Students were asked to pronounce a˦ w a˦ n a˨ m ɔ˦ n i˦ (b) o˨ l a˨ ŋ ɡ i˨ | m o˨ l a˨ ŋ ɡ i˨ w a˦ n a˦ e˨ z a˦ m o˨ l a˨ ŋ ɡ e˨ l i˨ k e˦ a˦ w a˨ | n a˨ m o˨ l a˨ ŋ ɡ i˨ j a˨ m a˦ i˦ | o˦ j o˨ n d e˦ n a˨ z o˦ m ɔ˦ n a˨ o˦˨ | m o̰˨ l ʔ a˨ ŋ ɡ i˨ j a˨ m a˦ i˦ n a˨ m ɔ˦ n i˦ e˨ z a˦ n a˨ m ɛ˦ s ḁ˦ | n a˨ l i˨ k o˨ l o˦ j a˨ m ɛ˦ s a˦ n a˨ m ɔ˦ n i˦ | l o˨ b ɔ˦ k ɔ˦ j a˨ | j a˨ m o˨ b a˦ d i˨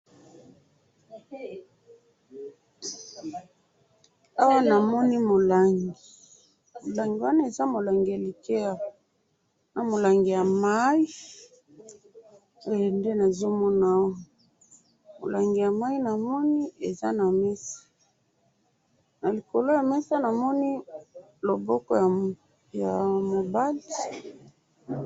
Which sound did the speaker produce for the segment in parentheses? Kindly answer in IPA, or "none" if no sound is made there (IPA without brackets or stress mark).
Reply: m